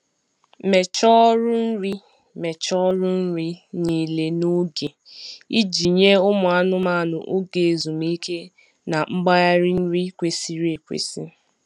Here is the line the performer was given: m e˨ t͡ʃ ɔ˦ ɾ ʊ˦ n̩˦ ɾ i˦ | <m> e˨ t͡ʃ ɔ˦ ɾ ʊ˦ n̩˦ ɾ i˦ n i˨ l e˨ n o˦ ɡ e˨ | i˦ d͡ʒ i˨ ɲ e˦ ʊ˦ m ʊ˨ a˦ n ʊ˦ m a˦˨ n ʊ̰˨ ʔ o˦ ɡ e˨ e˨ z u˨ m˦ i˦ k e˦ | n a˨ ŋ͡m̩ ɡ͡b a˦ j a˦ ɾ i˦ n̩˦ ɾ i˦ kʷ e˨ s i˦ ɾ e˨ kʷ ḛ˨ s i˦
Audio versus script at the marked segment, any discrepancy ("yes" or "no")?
no